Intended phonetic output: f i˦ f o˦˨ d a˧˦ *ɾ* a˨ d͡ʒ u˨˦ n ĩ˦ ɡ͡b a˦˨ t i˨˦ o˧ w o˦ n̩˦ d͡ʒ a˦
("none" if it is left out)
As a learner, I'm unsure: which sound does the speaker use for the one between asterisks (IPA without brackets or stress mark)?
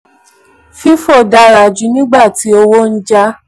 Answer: ɾ